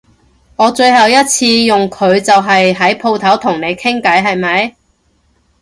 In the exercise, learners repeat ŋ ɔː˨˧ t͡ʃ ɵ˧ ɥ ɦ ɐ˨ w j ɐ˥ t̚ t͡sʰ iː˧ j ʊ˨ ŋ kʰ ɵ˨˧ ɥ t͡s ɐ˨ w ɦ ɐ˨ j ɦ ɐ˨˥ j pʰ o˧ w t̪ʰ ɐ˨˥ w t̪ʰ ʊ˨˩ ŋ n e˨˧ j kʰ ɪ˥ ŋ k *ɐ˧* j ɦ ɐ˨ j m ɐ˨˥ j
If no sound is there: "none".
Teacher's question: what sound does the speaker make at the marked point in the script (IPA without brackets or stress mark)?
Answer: ɐ˨˥